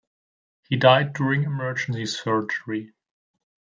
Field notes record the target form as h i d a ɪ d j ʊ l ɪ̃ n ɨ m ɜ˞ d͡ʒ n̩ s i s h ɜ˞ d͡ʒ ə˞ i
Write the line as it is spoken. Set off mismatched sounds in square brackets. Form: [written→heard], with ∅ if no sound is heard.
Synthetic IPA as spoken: h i d a ɪ d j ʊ [l→ɹ] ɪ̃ [n→ŋ] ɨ m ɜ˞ d͡ʒ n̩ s i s [h→f] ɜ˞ d͡ʒ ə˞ i